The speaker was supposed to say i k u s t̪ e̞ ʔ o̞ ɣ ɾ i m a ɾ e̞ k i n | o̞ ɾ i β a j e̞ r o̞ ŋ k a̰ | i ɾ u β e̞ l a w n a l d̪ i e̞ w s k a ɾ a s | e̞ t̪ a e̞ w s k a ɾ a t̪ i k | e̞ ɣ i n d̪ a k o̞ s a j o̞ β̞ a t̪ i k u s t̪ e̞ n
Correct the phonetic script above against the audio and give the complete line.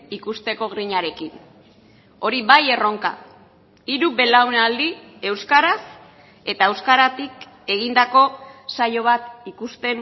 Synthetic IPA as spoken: i k u s t̪ e̞ k o̞ ɣ ɾ i ɲ a ɾ e̞ k i n | o̞ ɾ i β a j e̞ r o̞ ŋ k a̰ | i ɾ u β e̞ l a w n a l d̪ i e̞ w s k a ɾ a s | e̞ t̪ a e̞ w s k a ɾ a t̪ i k | e̞ ɣ i n d̪ a k o̞ s a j o̞ β̞ a t̪ i k u s t̪ e̞ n